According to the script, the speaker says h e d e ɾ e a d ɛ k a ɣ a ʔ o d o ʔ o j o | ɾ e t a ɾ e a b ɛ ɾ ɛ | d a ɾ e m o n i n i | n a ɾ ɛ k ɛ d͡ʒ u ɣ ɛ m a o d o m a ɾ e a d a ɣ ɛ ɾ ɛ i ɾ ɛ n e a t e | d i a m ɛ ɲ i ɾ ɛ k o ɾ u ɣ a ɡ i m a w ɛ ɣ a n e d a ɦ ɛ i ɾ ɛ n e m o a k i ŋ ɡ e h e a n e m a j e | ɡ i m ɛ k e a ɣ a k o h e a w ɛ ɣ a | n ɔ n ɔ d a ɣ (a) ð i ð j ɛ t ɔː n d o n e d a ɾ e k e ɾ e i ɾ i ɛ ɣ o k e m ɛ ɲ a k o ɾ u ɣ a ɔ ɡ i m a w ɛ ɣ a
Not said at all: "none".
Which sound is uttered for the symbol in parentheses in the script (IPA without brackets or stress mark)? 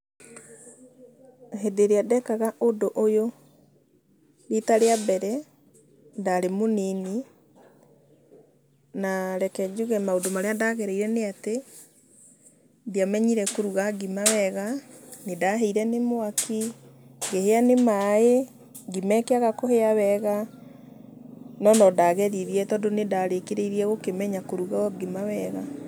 ɛ